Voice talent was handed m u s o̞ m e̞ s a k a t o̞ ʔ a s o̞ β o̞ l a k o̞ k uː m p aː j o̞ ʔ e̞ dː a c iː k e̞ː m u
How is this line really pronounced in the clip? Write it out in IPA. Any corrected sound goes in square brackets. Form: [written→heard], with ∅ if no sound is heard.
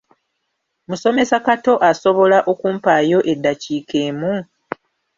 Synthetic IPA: m u s o̞ m e̞ s a k a t o̞ ʔ a s o̞ β o̞ l a [k→ʔ] o̞ k uː m p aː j o̞ ʔ e̞ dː a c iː k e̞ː m u